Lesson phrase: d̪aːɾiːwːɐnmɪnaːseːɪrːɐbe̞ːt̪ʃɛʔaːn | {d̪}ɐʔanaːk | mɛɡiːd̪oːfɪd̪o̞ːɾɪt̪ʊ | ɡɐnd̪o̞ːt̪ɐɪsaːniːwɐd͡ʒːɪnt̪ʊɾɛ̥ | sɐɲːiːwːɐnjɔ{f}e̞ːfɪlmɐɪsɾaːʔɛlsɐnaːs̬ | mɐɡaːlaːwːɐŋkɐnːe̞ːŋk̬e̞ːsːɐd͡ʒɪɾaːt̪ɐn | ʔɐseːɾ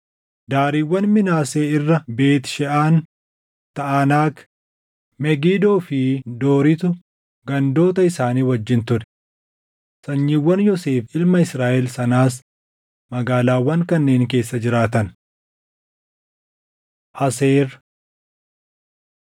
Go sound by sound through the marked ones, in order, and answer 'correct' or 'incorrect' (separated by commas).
incorrect, incorrect